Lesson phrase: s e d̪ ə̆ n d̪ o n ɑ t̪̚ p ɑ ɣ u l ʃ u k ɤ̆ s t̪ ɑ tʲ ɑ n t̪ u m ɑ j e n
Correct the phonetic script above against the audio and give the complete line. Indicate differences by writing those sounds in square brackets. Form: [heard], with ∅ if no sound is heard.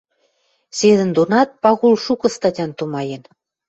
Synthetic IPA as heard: s e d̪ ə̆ n d̪ o n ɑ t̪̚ p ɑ ɣ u l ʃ u k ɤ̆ s t̪ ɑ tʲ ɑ n t̪ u m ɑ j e n